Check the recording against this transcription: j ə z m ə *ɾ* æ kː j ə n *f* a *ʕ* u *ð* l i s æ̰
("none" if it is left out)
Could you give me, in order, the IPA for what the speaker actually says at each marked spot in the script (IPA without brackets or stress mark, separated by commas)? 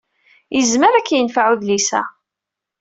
ɾ, f, ʕ, ð